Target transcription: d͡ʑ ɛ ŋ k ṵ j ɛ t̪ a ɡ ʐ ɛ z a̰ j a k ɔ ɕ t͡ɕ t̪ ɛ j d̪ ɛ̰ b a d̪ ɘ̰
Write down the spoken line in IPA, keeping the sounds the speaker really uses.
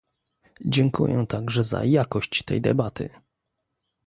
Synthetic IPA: d͡ʑ ɛ ŋ k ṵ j ɛ t̪ a ɡ ʐ ɛ z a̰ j a k ɔ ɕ t͡ɕ t̪ ɛ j d̪ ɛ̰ b a t̪ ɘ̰